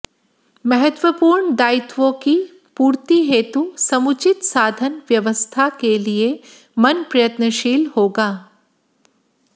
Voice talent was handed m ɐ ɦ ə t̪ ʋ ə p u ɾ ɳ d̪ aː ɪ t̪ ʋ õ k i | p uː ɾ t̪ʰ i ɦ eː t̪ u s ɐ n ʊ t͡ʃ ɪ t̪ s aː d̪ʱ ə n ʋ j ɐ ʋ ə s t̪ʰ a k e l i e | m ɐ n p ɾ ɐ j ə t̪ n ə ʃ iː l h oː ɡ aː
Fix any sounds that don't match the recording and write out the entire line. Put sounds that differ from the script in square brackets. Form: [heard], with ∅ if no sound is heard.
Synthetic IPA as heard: m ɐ ɦ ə t̪ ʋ ə p [uː] ɾ ɳ d̪ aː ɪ t̪ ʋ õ k i | p uː ɾ [t̪] i ɦ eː t̪ u s ɐ [m] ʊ t͡ʃ ɪ t̪ s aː d̪ʱ ə n ʋ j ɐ ʋ ə s t̪ʰ a k e l i e | m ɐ n p ɾ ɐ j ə t̪ n ə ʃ iː l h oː ɡ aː